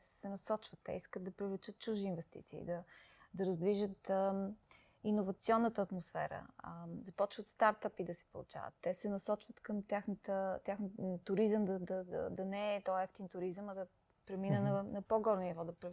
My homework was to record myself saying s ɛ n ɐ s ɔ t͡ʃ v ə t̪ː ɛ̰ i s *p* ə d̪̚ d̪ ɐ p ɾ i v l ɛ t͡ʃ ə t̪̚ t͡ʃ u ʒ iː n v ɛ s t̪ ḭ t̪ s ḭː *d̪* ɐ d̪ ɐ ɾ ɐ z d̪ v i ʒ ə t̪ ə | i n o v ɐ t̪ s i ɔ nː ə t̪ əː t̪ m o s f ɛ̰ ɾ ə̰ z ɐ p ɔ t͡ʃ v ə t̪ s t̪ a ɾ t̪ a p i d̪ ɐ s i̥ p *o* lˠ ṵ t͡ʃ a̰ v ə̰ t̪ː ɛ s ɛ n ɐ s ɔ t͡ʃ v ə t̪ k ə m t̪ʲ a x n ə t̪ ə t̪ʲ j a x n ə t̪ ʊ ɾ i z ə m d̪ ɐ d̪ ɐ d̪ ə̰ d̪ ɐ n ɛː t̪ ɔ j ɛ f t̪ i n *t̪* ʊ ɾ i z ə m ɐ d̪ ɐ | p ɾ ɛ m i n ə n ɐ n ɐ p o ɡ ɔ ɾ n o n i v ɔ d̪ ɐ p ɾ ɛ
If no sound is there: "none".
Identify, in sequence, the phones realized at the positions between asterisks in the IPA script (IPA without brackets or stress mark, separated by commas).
k, d̪, o, t̪